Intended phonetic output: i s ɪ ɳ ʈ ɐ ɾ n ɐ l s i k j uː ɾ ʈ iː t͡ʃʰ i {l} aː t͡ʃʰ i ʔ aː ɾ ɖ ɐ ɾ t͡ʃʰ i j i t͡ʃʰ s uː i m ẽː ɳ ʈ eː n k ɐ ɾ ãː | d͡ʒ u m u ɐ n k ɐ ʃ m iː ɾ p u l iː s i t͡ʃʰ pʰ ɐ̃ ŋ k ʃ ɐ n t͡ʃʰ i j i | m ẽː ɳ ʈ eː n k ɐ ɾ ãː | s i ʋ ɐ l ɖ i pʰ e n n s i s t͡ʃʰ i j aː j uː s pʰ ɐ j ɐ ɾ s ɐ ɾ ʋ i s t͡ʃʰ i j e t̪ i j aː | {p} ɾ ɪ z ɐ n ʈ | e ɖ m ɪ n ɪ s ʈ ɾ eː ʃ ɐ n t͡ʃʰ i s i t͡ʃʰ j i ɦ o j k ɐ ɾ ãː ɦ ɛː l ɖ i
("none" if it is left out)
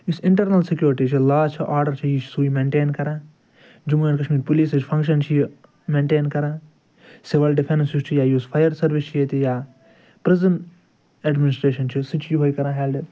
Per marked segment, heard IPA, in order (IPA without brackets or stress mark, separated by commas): l, p